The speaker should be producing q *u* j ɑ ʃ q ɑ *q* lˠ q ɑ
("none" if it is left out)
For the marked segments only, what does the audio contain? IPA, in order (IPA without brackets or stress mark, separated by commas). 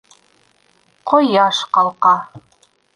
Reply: o, none